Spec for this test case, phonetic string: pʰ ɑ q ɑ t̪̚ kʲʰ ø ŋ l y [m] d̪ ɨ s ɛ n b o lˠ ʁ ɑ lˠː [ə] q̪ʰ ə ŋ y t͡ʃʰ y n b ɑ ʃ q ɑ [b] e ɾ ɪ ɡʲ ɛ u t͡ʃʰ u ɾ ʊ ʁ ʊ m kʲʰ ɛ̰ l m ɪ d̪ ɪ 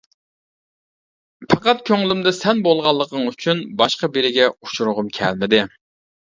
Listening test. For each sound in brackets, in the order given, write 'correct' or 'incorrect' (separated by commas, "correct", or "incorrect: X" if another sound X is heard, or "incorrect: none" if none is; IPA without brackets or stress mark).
correct, correct, correct